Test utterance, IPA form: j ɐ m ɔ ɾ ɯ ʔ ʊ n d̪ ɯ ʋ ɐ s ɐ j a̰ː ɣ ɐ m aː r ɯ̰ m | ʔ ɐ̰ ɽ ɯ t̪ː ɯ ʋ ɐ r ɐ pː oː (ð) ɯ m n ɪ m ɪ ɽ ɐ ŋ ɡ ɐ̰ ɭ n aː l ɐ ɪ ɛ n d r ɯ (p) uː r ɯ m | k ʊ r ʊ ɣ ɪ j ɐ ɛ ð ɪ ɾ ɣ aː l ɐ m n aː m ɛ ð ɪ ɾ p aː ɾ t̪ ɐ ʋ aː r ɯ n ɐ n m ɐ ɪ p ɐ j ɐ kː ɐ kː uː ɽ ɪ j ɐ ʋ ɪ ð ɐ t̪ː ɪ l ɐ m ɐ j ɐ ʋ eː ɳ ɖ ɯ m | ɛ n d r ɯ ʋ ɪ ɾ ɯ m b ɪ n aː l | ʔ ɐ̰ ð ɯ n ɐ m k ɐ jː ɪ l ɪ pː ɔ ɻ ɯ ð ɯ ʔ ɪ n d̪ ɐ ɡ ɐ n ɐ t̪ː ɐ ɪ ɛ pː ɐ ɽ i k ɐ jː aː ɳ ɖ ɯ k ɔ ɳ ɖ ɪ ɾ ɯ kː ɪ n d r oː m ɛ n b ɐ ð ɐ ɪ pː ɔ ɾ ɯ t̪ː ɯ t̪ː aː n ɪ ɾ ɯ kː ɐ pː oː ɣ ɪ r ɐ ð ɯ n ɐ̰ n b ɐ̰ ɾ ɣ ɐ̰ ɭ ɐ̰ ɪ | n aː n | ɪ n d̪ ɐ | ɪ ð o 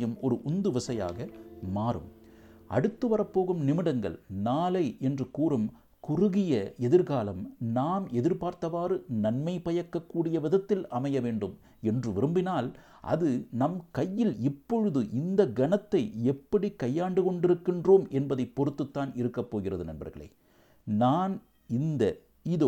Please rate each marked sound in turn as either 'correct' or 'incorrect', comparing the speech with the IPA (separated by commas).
incorrect, incorrect